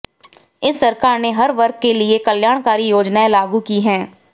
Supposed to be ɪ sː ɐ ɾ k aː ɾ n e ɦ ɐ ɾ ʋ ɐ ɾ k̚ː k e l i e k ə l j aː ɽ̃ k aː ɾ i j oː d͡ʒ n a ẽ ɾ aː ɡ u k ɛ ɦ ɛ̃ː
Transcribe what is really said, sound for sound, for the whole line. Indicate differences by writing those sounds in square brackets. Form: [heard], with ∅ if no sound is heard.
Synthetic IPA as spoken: ɪ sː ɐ ɾ k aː ɾ n e ɦ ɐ ɾ ʋ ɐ ɾ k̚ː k e l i e k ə l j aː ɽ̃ k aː ɾ i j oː d͡ʒ n a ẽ [l] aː ɡ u k [i] ɦ ɛ̃ː